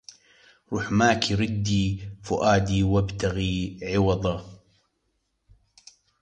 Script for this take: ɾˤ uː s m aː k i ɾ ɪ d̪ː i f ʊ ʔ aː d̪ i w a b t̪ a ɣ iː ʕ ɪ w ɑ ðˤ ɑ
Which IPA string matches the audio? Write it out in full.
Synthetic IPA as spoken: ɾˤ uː ħ m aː k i ɾ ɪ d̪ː i f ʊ ʔ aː d̪ i w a b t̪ a ɣ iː ʕ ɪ w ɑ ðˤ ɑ